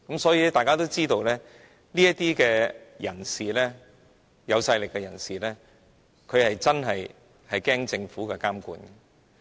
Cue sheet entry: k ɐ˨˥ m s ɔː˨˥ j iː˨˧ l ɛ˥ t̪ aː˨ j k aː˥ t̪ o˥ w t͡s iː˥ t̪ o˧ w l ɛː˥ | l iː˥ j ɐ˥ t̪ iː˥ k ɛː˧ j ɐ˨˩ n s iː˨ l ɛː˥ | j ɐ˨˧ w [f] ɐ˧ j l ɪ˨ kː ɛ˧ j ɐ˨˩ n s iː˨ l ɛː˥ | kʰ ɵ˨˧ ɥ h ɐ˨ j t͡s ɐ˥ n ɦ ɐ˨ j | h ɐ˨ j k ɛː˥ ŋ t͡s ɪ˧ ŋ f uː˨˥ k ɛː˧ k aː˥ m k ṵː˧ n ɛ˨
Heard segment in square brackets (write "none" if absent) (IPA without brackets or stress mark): s